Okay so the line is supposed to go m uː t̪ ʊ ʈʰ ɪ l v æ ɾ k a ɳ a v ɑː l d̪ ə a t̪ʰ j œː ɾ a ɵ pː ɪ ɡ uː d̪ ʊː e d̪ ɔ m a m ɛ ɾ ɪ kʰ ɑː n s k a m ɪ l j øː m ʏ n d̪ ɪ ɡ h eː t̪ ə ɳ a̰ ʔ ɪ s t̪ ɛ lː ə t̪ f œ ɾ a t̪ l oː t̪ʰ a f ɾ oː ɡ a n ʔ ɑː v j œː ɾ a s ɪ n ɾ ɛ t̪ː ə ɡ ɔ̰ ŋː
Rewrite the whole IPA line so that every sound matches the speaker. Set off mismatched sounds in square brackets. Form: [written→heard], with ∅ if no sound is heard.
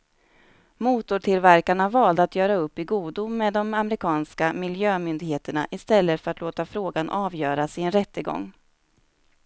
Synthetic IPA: m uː t̪ ʊ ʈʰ ɪ l v æ ɾ k a ɳ a v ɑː l d̪ ə a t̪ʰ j œː ɾ a ɵ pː ɪ ɡ uː d̪ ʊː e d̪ ɔ m a m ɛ ɾ ɪ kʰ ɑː n s k a m ɪ l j øː m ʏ n d̪ ɪ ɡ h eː t̪ ə ɳ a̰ ʔ ɪ s t̪ ɛ lː ə t̪ f œ ɾ a t̪ l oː [t̪ʰ→t̪] a f ɾ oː ɡ a n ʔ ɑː v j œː ɾ a s ɪ n ɾ ɛ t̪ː ə ɡ ɔ̰ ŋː